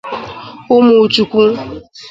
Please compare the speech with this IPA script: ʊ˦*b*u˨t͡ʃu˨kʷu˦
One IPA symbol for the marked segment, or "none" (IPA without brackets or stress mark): m